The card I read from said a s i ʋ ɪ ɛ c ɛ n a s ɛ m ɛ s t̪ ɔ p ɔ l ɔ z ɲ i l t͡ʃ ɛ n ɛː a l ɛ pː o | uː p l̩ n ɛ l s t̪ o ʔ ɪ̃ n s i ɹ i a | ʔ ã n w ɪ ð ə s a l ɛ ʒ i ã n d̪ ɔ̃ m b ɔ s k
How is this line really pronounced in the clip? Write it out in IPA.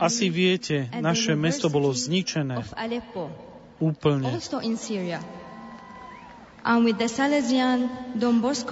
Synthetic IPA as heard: a s i ʋ ɪ ɛ c ɛ n a ʃ ɛ m ɛ s t̪ ɔ b ɔ l ɔ z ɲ i t͡ʃ ɛ n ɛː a l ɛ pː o | uː p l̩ ɲ ɛ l s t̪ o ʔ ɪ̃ n s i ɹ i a | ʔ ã n w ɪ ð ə s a l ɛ z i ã n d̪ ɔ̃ m b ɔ s k